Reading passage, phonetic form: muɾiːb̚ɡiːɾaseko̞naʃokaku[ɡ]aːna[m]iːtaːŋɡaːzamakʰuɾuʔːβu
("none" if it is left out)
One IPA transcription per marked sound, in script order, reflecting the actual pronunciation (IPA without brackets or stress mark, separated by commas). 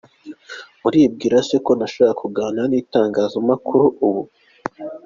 ɡ, n